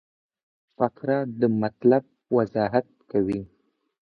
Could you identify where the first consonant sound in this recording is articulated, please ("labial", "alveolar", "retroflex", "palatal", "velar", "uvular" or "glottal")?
labial